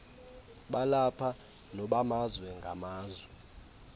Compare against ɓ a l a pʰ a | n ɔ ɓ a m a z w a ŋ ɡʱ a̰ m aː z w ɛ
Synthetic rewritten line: ɓ a l a pʰ a | n ɔ ɓ a m a z w ɛ ŋ ɡʱ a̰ m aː z w ɛ